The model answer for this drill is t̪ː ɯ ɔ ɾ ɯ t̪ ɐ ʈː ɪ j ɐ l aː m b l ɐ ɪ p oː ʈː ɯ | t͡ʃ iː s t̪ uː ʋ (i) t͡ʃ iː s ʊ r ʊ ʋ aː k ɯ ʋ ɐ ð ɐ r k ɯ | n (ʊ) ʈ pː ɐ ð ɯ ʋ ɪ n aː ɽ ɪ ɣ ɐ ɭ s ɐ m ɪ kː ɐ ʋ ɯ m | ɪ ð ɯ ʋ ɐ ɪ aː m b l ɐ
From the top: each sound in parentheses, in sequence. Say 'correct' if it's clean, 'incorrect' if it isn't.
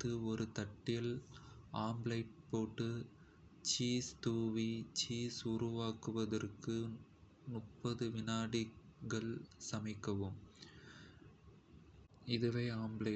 correct, correct

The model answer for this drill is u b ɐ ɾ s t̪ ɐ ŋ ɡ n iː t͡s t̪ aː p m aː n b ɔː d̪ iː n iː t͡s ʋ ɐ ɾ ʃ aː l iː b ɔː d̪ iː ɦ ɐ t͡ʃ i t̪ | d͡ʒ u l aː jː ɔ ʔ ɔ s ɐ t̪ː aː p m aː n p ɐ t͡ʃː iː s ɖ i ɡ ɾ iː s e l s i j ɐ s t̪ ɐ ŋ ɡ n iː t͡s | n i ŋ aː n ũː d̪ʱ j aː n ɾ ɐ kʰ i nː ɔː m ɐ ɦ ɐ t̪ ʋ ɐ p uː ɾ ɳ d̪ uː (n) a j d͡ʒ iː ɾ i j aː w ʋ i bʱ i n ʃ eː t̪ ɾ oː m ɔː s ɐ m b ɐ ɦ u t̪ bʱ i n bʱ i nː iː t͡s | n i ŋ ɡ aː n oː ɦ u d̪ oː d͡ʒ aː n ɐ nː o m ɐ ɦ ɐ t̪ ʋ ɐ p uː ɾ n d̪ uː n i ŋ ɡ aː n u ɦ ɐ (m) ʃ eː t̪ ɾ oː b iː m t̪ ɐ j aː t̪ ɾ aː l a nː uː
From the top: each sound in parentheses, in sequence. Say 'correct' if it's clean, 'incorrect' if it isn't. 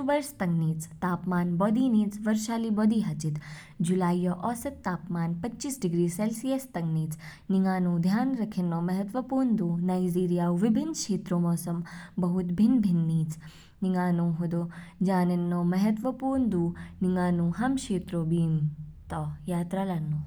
correct, correct

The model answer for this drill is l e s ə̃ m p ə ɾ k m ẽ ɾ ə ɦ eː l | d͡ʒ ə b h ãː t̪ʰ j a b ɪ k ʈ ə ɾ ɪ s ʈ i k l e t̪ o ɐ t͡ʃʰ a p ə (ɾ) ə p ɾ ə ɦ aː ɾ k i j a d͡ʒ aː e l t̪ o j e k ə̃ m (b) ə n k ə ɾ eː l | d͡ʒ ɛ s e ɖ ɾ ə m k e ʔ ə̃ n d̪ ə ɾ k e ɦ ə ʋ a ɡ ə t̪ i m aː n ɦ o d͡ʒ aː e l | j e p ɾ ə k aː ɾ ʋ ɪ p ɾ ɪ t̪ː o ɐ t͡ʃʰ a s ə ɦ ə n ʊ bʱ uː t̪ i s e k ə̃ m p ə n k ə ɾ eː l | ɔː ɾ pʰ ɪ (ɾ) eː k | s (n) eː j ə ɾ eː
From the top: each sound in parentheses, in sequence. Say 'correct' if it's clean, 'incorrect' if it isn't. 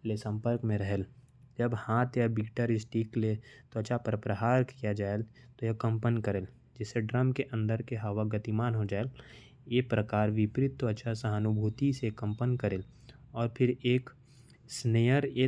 correct, incorrect, correct, correct

